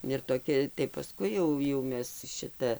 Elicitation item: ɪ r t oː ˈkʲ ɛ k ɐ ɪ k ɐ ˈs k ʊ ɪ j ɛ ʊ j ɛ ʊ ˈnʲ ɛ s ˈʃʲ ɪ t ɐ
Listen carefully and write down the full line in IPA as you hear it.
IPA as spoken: ɪ r t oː ˈkʲ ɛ t ɐ ɪ p ɐ ˈs k ʊ ɪ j ɛ ʊ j ɛ ʊ ˈmʲ ɛ s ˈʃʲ ɪ t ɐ